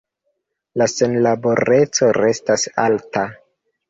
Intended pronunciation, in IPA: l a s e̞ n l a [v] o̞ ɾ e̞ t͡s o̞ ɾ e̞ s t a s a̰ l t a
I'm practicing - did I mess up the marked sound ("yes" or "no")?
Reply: yes